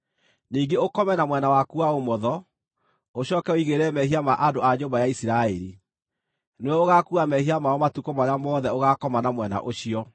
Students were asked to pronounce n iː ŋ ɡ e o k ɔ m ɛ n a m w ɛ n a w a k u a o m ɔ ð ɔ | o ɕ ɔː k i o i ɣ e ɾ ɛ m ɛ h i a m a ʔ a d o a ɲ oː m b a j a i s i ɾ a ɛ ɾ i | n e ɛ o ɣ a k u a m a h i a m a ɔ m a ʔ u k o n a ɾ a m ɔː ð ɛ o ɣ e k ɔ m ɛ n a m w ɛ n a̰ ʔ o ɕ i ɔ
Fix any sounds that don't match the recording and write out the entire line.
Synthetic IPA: n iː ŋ ɡ e o k ɔ m ɛ n a m w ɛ n a w a k u a o m ɔ ð ɔ | o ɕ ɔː k ɛ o i ɣ e ɾ ɛ m ɛ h i a m a ʔ a d o a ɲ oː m b a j a i s i ɾ a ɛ ɾ i | n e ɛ o ɣ a k u a m ɛ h i a m a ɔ m a t u k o m a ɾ a m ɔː ð ɛ o ɣ a k ɔ m a n a m w ɛ n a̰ ʔ o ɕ i ɔ

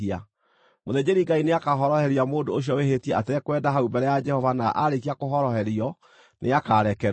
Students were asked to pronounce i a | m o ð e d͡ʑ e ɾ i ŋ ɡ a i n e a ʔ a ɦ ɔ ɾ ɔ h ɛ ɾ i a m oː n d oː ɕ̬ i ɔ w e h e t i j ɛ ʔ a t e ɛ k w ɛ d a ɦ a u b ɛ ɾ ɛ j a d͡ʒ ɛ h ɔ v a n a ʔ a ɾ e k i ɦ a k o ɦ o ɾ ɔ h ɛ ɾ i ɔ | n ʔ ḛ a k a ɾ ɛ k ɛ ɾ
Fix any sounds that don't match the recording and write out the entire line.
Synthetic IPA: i a | m o ð e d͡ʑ e ɾ i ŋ ɡ a i n e a k a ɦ ɔ ɾ ɔ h ɛ ɾ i a m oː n d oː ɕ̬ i ɔ w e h e t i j ɛ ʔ a t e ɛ k w ɛ d a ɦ a u b ɛ ɾ ɛ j a d͡ʒ ɛ h ɔ v a n a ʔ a ɾ e k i a k o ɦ ɔ ɾ ɔ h ɛ ɾ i ɔ | n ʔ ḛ a k a ɾ ɛ k ɛ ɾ

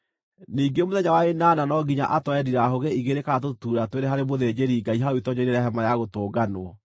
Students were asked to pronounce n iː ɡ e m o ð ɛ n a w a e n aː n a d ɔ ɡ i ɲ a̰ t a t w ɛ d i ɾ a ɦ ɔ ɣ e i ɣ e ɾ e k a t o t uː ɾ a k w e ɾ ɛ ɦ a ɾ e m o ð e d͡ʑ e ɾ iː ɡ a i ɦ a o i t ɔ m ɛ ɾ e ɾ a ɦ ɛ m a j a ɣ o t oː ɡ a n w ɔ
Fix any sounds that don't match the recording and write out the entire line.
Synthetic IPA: n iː ɡ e m o ð ɛ ɲ a w a e n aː n a n ɔ ɡ i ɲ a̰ ʔ a t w ɛ d i ɾ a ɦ o ɣ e i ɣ e ɾ e k a t o t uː ɾ a t w e ɾ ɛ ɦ a ɾ e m o ð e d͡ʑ e ɾ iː ɡ a i ɦ a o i t ɔ ɲ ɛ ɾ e ɾ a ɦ ɛ m a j a ɣ o t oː ɡ a n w ɔ

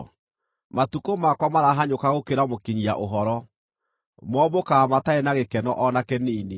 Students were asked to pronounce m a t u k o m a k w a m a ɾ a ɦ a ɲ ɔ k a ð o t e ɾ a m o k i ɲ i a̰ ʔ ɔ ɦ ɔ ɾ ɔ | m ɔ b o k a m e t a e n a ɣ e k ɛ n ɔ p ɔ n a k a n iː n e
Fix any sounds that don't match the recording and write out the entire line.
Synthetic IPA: m a t u k o m a k w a m a ɾ a ɦ a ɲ o k a ɣ o k e ɾ a m o k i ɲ i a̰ ʔ o ɦ ɔ ɾ ɔ | m ɔ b o k a m a t a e n a ɣ e k ɛ n ɔ ʔ ɔ n a k ɛ n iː n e

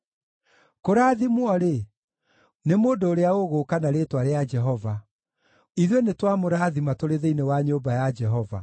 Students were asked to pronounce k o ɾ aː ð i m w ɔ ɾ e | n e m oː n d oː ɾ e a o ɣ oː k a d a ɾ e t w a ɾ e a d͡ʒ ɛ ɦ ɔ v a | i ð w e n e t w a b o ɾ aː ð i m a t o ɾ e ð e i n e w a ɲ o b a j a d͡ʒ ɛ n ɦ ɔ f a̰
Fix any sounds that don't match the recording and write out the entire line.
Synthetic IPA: k o ɾ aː ð i m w ɔ ɾ e | n e m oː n d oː ɾ e a o ɣ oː k a n a ɾ e t w a ɾ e a d͡ʒ ɛ ɦ ɔ v a | i ð w e n e t w a m o ɾ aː ð i m a t o ɾ e ð e i n e w a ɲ o b a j a d͡ʒ ɛ ɦ ɔ v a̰

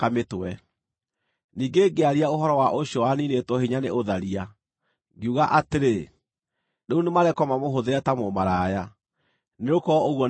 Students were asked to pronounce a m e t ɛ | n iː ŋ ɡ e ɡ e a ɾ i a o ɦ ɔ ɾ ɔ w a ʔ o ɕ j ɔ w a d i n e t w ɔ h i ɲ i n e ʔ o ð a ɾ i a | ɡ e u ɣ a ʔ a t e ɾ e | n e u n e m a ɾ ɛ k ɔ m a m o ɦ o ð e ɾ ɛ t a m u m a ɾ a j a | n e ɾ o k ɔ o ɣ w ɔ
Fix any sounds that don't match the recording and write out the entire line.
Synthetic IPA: a m e t ɛ | n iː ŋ ɡ e ɡ e a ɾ i a o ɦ ɔ ɾ ɔ w a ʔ o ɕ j ɔ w a n i n e t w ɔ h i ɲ a n e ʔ o ð a ɾ i a | ɡ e u ɣ a ʔ a t e ɾ e | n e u n e m a ɾ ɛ k ɔ m a m o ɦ o ð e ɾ ɛ t a m o m a ɾ a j a | n e ɾ o k ɔ o ɣ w ɔ

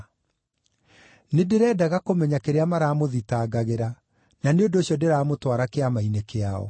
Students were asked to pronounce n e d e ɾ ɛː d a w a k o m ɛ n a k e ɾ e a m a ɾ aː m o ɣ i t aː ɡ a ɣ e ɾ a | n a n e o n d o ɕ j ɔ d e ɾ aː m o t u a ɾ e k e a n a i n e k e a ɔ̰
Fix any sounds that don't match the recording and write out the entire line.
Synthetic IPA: n e d e ɾ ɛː d a ɣ a k o m ɛ ɲ a k e ɾ e a m a ɾ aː m o ð i t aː ɡ a ɣ e ɾ a | n a n e o n d o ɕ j ɔ d e ɾ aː m o t w a ɾ a k e a m a i n e k e a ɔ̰

